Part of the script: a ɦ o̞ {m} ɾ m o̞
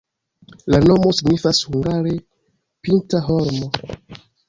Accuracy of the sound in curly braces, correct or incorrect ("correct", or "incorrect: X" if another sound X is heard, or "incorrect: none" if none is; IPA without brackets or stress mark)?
incorrect: none